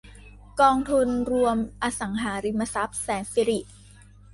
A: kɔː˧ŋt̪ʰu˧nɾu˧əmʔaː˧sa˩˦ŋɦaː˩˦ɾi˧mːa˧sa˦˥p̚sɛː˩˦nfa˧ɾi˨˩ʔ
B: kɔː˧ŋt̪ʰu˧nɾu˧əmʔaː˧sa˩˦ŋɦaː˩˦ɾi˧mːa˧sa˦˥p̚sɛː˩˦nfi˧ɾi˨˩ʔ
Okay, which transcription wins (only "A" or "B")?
B